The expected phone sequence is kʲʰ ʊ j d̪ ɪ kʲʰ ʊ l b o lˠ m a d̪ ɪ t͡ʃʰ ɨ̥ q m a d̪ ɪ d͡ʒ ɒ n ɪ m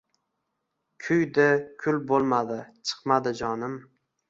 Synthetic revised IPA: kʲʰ ʊ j d̪ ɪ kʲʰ ʊ l b o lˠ m a d̪ ɪ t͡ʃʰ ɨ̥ q m a d̪ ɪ d͡ʒ ɒ n ɪ m